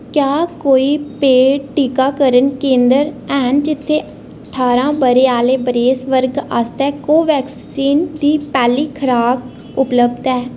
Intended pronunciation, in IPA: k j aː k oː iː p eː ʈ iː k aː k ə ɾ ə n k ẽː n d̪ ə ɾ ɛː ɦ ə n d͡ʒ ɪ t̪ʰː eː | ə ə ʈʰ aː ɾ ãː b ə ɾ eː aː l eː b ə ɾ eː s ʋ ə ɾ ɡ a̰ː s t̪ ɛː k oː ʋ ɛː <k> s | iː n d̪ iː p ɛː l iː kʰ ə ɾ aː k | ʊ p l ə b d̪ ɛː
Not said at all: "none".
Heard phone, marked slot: k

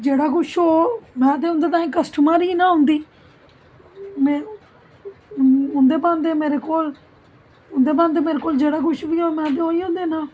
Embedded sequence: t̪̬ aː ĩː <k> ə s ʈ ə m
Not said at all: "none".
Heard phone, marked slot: k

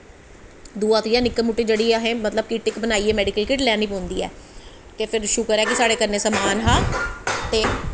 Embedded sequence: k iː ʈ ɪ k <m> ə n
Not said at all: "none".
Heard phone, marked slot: b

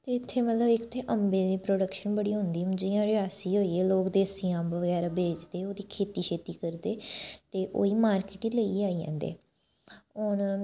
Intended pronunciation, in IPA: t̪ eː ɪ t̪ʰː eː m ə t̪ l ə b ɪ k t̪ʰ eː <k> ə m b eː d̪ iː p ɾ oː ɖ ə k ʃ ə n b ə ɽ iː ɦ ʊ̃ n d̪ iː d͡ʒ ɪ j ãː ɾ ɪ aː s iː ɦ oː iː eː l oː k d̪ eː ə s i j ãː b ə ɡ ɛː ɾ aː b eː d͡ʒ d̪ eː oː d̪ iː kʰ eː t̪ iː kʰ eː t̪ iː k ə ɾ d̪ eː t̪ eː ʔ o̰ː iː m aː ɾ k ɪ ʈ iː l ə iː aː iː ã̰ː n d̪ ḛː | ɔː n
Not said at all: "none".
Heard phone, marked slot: ʔ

